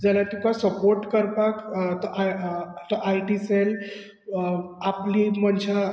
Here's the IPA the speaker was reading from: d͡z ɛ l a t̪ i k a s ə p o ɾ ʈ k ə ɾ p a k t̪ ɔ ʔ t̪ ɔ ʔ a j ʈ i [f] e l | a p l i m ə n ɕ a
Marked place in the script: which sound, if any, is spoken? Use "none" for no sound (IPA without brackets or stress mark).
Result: s